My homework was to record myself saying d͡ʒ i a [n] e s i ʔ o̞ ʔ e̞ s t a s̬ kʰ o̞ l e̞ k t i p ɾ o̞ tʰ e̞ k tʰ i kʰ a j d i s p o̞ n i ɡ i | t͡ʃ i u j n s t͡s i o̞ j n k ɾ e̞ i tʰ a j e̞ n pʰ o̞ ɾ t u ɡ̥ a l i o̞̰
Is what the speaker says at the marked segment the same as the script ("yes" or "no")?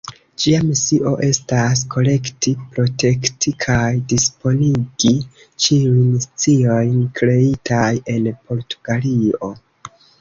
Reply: no